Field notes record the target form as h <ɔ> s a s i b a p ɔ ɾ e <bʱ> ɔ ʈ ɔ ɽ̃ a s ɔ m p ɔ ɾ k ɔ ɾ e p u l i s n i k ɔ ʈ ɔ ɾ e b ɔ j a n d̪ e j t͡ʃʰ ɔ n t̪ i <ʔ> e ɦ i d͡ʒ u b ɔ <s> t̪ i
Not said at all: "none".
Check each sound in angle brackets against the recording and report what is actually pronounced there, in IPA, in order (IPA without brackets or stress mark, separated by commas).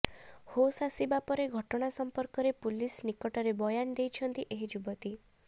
o, ɡʱ, ʔ, none